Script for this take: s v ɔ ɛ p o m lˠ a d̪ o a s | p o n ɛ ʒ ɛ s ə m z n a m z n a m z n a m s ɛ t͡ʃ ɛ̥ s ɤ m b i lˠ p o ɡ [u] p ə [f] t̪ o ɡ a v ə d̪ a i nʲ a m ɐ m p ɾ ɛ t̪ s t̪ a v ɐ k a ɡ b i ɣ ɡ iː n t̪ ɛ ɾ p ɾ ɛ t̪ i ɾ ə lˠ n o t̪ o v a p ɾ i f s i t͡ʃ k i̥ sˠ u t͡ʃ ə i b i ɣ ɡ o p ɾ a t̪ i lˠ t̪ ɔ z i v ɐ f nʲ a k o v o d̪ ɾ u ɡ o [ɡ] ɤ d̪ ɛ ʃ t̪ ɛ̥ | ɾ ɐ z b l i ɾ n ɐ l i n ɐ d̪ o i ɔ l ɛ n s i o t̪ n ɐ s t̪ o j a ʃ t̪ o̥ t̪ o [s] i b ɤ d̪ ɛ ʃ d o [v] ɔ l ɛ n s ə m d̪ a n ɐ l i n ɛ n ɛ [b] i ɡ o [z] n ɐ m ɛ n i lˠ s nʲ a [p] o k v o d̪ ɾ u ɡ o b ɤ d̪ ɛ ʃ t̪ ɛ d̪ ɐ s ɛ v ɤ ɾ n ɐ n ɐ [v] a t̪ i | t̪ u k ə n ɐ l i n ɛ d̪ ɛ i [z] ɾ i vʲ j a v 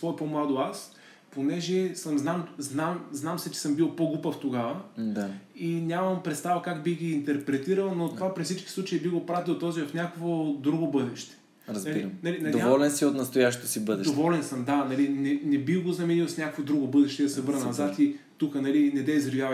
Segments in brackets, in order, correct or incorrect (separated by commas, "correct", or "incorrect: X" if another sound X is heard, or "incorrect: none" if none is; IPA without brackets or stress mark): correct, correct, incorrect: b, correct, correct, correct, correct, incorrect: k, incorrect: z, correct